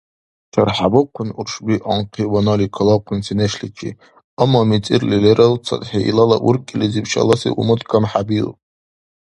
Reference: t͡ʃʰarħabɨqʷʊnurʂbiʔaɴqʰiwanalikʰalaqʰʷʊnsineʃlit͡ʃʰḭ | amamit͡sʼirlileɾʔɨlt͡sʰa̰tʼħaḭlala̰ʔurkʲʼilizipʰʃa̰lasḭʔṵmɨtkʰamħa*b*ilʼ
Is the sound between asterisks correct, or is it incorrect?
correct